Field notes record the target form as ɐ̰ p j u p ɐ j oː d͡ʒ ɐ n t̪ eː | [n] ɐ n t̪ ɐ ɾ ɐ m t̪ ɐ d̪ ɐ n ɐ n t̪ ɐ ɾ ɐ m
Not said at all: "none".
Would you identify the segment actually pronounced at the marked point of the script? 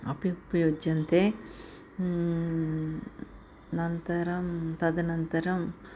n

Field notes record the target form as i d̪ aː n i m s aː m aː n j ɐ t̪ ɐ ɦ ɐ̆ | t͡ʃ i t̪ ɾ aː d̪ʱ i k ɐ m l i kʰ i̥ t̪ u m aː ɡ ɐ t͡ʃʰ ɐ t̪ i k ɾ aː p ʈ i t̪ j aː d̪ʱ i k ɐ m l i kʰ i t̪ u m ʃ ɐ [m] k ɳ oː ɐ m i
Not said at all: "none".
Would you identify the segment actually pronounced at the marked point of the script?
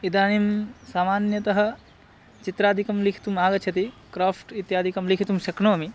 none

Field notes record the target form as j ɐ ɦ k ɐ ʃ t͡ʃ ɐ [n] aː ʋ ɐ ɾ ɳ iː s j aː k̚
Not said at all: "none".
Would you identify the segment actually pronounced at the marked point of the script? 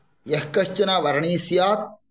n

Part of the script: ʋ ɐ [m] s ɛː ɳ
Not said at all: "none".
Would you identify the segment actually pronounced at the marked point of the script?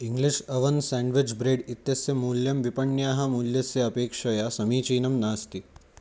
n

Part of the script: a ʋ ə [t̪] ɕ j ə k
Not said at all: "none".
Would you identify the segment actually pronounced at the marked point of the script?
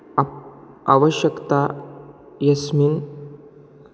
none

